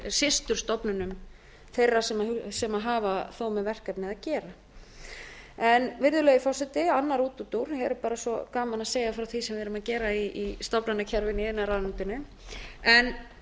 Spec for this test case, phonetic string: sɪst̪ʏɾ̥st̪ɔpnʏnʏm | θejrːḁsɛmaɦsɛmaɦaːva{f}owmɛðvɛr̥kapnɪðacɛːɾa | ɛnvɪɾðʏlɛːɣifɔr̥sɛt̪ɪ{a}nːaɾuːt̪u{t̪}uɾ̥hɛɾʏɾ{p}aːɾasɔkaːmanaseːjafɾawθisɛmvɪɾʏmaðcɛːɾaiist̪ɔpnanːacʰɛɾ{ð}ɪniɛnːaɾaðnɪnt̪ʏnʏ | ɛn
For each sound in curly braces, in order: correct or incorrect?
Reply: incorrect: θ, correct, correct, correct, incorrect: v

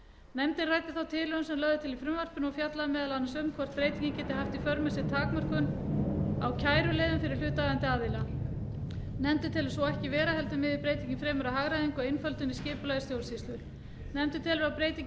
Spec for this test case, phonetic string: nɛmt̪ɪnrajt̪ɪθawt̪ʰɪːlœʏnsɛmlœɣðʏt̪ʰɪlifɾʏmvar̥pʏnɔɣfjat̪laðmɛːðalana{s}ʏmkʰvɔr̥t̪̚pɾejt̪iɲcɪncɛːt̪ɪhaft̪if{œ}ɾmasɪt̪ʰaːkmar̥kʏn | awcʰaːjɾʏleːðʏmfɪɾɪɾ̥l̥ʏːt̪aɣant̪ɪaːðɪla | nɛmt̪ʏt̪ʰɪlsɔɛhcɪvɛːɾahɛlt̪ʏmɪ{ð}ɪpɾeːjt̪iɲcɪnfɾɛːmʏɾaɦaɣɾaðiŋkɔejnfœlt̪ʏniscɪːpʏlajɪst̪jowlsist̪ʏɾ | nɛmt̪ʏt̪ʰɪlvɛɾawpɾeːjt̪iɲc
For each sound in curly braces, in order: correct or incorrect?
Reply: correct, correct, correct

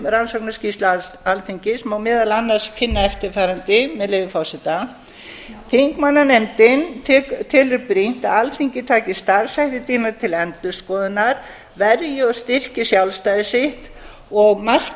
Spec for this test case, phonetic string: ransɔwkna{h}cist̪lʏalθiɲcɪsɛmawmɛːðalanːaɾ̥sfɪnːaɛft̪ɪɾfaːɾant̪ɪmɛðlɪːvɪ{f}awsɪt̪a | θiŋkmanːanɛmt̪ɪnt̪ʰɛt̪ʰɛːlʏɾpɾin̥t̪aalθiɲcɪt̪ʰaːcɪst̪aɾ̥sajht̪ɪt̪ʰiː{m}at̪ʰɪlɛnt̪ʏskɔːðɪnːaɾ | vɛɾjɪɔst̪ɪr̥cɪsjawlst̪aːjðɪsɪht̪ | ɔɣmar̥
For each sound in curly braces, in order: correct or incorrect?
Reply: incorrect: s, correct, incorrect: n

